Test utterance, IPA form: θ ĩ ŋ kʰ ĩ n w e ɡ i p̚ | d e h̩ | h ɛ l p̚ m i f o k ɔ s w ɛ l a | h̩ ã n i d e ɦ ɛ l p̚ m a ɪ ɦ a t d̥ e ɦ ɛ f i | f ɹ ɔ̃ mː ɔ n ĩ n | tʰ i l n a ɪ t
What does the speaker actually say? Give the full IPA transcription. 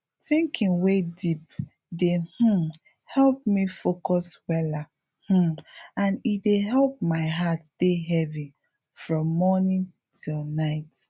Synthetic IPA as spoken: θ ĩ ŋ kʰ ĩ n w e d i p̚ | d e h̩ | h ɛ l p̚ m i f o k ɔ s w ɛ l a | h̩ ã n i d e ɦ ɛ l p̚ m a ɪ ɦ a t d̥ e ɦ ɛ v i | f ɹ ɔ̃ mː ɔ n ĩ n | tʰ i l n a ɪ t